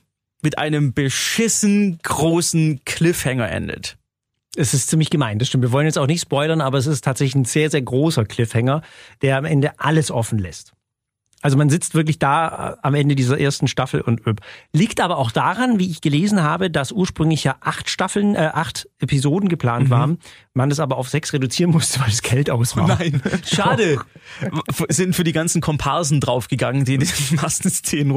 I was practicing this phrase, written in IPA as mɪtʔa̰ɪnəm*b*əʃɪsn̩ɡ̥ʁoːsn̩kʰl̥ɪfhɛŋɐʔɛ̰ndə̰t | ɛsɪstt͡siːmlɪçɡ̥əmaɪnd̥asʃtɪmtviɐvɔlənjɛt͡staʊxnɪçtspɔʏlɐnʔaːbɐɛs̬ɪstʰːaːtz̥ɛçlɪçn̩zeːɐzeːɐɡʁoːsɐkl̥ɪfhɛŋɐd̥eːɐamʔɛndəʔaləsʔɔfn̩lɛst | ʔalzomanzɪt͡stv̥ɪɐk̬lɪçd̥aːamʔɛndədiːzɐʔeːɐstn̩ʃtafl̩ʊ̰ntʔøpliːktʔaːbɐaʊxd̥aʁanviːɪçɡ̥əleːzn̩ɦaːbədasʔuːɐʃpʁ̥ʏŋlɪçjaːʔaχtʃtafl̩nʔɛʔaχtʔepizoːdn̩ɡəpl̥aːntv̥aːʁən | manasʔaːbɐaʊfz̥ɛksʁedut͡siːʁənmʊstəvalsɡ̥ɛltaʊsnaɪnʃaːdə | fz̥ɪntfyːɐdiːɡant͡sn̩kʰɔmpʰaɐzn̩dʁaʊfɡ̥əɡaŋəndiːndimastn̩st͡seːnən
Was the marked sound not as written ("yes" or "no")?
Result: no